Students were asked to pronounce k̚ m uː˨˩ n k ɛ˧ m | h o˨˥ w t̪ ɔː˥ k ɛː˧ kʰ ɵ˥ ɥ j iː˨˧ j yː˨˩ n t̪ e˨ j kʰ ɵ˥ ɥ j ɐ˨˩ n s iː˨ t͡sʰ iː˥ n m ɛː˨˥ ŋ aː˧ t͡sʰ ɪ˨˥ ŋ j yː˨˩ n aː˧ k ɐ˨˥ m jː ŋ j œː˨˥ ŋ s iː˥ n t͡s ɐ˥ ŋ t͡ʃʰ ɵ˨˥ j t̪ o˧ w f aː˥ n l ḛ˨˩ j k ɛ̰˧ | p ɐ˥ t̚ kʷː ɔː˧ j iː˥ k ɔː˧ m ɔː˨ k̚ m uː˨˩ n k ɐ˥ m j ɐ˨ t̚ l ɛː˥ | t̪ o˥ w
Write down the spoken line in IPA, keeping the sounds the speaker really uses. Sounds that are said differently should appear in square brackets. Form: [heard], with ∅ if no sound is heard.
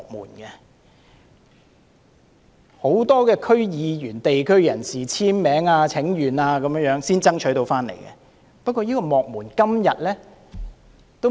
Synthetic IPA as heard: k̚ m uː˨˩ n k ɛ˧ [∅] | h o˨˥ w t̪ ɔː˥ k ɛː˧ kʰ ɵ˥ ɥ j iː˨˧ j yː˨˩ n t̪ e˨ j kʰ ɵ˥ ɥ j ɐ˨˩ n s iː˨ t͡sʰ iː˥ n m ɛː˨˥ ŋ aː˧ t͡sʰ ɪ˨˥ ŋ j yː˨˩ n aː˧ k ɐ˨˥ m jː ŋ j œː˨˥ ŋ s iː˥ n t͡s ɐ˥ ŋ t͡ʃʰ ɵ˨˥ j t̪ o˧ w f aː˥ n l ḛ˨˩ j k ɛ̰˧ | p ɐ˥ t̚ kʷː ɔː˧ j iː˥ k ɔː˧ m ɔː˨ k̚ m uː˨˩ n k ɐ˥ m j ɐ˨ t̚ l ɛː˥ | t̪ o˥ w